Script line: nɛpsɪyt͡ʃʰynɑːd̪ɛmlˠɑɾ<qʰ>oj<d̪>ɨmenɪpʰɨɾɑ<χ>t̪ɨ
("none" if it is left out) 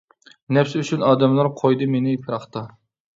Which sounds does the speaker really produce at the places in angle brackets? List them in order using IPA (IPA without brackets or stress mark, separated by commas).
qʰ, d̪, χ